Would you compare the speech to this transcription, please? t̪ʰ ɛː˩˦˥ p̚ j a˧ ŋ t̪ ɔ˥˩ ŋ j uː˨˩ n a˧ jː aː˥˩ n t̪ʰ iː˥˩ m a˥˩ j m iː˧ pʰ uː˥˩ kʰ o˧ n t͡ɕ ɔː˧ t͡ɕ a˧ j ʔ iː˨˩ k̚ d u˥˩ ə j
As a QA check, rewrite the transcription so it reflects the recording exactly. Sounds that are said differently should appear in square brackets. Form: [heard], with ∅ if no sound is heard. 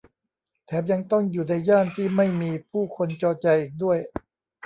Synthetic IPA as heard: t̪ʰ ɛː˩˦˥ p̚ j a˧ ŋ t̪ ɔ˥˩ ŋ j uː˨˩ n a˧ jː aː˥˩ n t̪ʰ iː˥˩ m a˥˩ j m iː˧ pʰ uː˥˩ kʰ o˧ n t͡ɕ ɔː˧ t͡ɕ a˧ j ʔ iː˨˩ k̚ d u˥˩ ə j